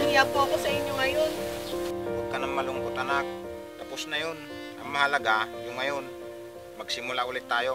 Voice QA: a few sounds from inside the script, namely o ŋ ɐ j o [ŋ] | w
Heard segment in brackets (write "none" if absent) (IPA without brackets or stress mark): n